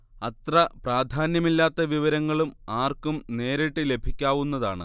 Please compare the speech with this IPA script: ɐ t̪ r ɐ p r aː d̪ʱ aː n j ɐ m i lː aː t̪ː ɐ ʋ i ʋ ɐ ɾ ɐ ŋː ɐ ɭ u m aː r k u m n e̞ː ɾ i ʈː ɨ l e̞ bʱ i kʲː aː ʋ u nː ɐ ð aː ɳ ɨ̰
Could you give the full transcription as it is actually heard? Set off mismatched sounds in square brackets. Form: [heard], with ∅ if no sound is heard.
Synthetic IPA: ɐ t̪ r ɐ p r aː d̪ʱ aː n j ɐ m i lː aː t̪ː ɐ ʋ i ʋ ɐ ɾ ɐ ŋː ɐ ɭ u m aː r k u m n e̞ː ɾ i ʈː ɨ l e̞ bʱ i kʲː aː ʋ u nː ɐ ð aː ɳ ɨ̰